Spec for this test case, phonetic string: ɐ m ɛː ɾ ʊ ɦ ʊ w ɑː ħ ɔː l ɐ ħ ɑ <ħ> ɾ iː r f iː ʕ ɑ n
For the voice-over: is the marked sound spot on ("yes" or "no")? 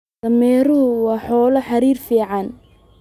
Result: no